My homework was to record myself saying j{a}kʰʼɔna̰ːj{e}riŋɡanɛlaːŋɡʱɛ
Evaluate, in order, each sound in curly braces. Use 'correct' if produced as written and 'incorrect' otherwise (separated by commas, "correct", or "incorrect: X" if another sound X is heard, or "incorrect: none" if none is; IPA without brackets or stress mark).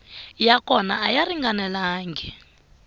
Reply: correct, incorrect: a